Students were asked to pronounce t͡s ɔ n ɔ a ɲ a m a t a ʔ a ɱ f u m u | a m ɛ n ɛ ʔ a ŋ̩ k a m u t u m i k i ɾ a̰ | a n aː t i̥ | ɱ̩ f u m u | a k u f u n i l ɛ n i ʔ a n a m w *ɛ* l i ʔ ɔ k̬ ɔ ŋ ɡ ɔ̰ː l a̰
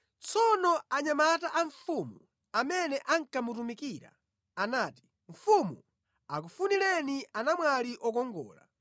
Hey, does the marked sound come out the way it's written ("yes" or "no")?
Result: no